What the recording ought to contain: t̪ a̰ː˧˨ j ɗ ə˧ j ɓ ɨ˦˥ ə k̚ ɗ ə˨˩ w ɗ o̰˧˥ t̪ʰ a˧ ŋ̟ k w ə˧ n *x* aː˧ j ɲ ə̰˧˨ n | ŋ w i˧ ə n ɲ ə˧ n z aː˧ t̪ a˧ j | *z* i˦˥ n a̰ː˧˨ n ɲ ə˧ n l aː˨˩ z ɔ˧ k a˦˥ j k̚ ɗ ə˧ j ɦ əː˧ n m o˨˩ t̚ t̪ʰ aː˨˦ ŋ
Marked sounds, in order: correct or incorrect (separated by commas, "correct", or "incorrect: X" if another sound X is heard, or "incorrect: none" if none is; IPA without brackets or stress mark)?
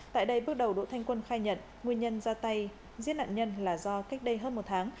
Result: correct, correct